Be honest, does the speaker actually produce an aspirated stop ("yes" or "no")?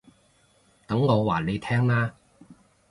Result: yes